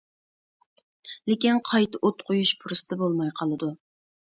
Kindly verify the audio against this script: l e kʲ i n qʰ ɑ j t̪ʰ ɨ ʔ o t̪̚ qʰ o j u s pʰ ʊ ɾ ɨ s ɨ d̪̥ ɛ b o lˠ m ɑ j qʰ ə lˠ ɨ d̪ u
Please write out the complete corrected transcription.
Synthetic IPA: l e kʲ i n qʰ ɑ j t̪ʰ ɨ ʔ o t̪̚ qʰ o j u ʃ pʰ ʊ ɾ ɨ s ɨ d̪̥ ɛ b o lˠ m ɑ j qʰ ɑ lˠ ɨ d̪ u